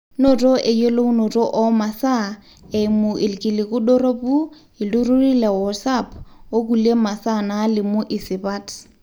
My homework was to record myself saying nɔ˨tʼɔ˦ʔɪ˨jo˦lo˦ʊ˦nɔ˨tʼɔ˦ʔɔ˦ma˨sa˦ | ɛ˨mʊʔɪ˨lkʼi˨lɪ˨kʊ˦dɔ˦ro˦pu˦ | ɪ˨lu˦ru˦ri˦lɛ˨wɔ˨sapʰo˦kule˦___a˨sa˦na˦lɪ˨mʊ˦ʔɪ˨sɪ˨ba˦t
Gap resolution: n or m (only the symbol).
m